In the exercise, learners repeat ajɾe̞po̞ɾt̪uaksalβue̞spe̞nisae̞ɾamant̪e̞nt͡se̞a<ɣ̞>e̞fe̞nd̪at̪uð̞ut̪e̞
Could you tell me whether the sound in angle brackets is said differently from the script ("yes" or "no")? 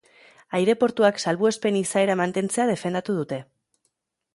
yes